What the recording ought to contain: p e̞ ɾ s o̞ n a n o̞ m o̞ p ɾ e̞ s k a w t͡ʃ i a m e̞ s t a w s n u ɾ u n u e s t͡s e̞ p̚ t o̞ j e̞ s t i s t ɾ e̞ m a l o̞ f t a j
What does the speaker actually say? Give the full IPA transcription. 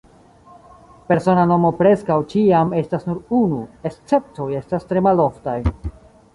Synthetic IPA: p e̞ ɾ s o̞ n a n o̞ m o̞ p ɾ e̞ s k a w t͡ʃ i a m e̞ s t a s n u ɾ u n u e s t͡s e̞ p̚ t o̞ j e̞ s t a s t ɾ e̞ m a l o̞ f t a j